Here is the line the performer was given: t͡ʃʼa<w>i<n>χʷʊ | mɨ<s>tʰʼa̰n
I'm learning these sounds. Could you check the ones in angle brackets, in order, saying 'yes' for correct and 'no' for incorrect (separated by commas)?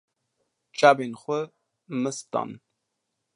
no, yes, yes